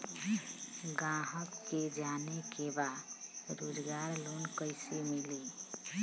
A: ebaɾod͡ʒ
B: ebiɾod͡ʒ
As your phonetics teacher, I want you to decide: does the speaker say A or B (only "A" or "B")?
A